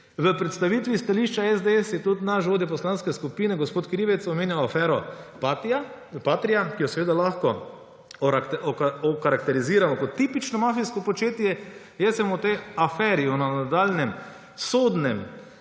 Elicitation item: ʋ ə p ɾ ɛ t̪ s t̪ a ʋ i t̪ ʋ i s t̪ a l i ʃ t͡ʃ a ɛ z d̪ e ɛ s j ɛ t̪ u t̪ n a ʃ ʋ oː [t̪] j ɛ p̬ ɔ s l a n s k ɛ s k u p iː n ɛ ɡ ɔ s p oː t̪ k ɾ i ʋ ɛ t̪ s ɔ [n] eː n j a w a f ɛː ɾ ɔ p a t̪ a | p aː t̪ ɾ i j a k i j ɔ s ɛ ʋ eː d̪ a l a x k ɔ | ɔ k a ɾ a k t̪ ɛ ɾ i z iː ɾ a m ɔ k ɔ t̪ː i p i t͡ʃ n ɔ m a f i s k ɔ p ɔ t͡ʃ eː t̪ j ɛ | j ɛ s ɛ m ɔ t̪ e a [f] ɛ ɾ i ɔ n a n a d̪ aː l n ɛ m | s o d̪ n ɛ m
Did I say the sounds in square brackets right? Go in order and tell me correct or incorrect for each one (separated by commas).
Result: incorrect, incorrect, correct